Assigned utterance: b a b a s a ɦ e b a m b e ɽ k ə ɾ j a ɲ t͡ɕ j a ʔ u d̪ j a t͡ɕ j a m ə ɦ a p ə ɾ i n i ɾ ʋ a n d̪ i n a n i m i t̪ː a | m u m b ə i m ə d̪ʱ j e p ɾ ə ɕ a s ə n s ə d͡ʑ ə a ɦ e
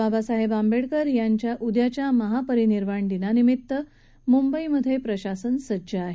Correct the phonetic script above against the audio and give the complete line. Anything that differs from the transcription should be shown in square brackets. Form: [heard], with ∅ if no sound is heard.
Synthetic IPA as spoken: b a b a s a ɦ e b a m b e ɽ k ə ɾ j a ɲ t͡ɕ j a ʔ u d̪ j a t͡ɕ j a m ə ɦ a p ə ɾ i n i ɾ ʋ a [ɳ] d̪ i n a n i m i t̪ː [ə] | m u m b ə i m ə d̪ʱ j e p ɾ ə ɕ a s ə n s ə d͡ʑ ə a ɦ e

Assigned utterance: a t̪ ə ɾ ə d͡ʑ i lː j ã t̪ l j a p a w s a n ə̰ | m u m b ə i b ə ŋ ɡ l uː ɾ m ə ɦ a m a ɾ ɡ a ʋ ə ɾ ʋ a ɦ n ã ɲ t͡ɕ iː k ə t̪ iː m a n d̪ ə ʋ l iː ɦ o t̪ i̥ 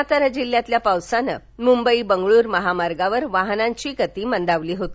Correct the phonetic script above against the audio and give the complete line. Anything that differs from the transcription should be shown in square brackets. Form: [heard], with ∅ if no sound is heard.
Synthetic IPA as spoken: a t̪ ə ɾ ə d͡ʑ i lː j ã t̪ l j a p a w s a n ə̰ | m u m b ə i b ə ŋ ɡ [ɭ] uː ɾ m ə ɦ a m a ɾ ɡ a ʋ ə ɾ ʋ a ɦ n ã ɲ t͡ɕ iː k ə t̪ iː m [ə] n d̪ [a] ʋ l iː ɦ o t̪ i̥

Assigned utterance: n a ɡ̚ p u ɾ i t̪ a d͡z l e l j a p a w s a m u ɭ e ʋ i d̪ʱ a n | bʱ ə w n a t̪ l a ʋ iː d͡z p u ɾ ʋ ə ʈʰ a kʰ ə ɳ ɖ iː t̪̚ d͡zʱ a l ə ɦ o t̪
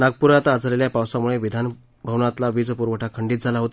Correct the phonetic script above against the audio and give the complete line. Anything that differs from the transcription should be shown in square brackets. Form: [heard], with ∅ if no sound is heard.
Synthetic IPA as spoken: n a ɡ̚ p u ɾ [a] t̪ a d͡z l e l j a p a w s a m u ɭ e ʋ i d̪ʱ a n | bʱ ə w n a t̪ l a ʋ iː d͡z p u ɾ ʋ ə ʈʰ a kʰ ə ɳ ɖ iː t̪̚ d͡zʱ a l [a] ɦ o t̪

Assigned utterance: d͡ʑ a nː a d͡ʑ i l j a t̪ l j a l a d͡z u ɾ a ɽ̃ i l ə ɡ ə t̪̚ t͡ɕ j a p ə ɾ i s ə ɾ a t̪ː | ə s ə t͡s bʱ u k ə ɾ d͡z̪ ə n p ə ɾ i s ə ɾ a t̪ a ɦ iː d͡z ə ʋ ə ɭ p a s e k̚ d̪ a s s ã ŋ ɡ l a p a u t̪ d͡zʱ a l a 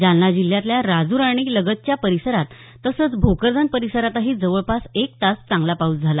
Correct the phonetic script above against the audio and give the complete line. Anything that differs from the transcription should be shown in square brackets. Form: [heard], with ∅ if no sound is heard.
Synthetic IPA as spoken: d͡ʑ a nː a d͡ʑ i l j a t̪ l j a [ɾ] a d͡z u ɾ a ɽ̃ i l ə ɡ ə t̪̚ t͡ɕ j a p ə ɾ i s ə ɾ a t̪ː | ə s ə t͡s bʱ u k ə ɾ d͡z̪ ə n p ə ɾ i s ə ɾ a t̪ a ɦ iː d͡z ə ʋ ə ɭ p a s e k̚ [t̪] a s [t͡s] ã ŋ ɡ l a p a u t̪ d͡zʱ a l a

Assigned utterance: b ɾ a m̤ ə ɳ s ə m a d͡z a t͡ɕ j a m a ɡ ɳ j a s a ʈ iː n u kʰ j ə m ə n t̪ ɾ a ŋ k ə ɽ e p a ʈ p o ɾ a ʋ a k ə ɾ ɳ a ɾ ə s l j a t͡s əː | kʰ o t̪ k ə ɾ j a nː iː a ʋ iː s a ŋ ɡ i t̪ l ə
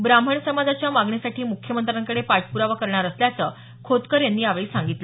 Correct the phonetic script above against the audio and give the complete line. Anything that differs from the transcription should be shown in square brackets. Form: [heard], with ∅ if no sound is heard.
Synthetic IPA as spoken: b ɾ a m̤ ə ɳ s ə m a d͡z a t͡ɕ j a m a ɡ ɳ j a s a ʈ iː [m] u kʰ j ə m ə n t̪ ɾ a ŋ k ə ɽ e p a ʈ p [u] ɾ a ʋ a k ə ɾ ɳ a ɾ ə s l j a t͡s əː | kʰ o t̪ k ə ɾ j a nː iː a ʋ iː s a ŋ ɡ i t̪ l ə

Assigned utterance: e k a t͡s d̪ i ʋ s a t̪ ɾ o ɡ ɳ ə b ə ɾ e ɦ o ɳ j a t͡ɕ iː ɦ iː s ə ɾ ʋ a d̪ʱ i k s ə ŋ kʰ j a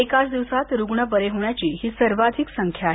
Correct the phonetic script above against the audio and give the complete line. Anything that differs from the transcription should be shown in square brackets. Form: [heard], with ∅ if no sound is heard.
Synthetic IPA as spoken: e k a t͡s d̪ i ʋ s a t̪ ɾ [u] ɡ ɳ ə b ə ɾ e ɦ o ɳ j a t͡ɕ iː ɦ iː s ə ɾ ʋ a d̪ʱ i k s ə ŋ kʰ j a

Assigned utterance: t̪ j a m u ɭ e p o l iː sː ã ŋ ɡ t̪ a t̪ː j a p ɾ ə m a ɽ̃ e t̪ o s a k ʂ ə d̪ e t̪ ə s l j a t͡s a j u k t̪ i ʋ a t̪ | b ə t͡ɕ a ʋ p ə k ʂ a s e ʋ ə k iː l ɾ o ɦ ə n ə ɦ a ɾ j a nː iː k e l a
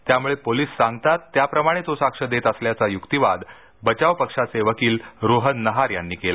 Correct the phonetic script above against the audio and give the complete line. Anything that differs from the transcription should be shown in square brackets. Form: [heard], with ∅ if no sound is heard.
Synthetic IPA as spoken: t̪ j a m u ɭ e p o l iː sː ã ŋ ɡ t̪ a t̪ː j a p ɾ ə m a ɽ̃ e t̪ o s a k ʂ ə d̪ e t̪ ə s l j a t͡s a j u k t̪ i ʋ a [d̪] | b ə t͡ɕ a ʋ p ə k ʂ a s e ʋ ə k iː l ɾ o ɦ ə [nː] ə ɦ a ɾ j a nː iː k e l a

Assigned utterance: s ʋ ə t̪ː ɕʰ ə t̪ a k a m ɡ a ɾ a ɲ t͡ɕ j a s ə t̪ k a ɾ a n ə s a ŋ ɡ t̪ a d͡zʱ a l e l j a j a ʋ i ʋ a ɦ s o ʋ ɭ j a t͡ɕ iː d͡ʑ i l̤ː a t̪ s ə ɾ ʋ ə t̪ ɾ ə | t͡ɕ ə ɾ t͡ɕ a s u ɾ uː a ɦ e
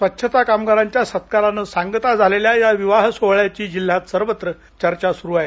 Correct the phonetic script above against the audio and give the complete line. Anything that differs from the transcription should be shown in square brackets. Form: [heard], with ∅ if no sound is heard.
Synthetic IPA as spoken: s ʋ ə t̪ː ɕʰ ə t̪ a k a m ɡ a ɾ a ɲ t͡ɕ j a s ə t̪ k a ɾ a n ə s a ŋ ɡ t̪ a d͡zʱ a l e l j a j a ʋ i ʋ a ɦ s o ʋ ɭ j a t͡ɕ iː d͡ʑ i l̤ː a t̪ s ə ɾ ʋ ə t̪ ɾ ə | t͡ɕ ə ɾ t͡ɕ a s u ɾ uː a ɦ e

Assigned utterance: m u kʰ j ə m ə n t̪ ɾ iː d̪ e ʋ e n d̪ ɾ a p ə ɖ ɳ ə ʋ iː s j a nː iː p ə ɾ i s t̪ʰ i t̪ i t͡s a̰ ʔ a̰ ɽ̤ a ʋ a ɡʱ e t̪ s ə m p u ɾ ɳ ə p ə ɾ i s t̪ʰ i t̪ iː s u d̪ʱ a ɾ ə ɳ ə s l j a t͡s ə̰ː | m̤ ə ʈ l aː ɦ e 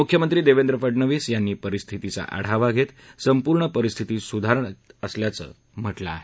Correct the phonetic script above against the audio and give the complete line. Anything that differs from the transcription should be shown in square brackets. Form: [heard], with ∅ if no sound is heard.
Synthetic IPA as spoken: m u kʰ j ə m ə n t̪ ɾ iː d̪ e ʋ e n d̪ ɾ [ə] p ə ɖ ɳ ə ʋ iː s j a nː iː p ə ɾ i s t̪ʰ i t̪ i t͡s a̰ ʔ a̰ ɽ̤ a ʋ a ɡʱ e t̪ s ə m p u ɾ ɳ ə p ə ɾ i s t̪ʰ i t̪ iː s u d̪ʱ a ɾ ə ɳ ə s l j a t͡s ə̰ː | m̤ ə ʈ l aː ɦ e

